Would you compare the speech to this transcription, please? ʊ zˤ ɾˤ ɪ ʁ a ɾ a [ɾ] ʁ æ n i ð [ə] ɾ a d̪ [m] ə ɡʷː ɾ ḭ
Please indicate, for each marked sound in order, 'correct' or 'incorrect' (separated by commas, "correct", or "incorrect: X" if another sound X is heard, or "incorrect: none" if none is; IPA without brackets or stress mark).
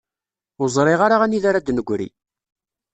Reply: incorrect: none, incorrect: a, incorrect: n